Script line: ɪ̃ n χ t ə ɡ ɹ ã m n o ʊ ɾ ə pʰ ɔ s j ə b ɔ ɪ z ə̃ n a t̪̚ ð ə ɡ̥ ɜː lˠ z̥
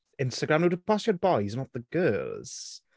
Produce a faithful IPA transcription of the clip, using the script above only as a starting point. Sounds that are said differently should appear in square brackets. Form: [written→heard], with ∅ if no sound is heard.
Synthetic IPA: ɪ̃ n [χ→s] t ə ɡ ɹ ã m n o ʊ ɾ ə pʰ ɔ s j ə b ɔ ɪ z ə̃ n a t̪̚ ð ə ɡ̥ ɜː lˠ z̥